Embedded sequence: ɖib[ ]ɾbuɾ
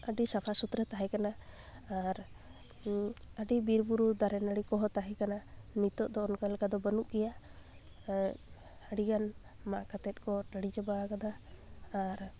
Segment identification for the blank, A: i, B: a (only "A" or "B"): A